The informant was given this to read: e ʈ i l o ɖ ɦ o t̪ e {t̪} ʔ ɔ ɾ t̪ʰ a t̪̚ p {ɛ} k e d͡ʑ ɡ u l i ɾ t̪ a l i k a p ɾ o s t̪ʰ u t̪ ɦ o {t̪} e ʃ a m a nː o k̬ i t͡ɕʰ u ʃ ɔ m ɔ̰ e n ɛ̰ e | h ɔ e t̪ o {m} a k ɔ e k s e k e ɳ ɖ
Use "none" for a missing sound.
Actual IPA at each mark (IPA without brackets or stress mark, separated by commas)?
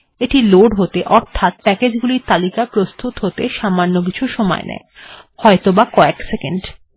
none, ɛ, t̪, b